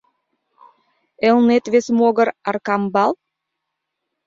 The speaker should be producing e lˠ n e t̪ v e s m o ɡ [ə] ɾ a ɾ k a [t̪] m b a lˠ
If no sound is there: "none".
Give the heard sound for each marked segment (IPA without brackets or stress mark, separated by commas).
ə, none